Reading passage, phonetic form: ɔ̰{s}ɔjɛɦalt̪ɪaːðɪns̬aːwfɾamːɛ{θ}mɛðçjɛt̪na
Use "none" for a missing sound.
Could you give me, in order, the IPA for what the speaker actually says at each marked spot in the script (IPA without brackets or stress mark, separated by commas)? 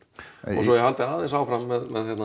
s, ð